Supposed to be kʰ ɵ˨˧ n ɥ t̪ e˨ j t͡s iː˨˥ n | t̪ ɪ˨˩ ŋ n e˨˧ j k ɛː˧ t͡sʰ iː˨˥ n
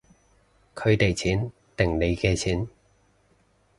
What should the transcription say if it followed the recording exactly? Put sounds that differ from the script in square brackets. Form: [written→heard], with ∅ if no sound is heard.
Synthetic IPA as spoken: kʰ ɵ˨˧ [n→∅] ɥ t̪ e˨ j [t͡s→t͡sʰ] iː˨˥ n | t̪ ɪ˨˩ ŋ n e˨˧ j k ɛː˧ t͡sʰ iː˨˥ n